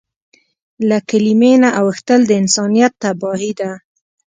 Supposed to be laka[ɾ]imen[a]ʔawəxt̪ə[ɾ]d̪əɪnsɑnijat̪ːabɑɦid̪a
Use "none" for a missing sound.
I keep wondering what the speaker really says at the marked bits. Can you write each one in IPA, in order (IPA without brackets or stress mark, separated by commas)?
l, a, l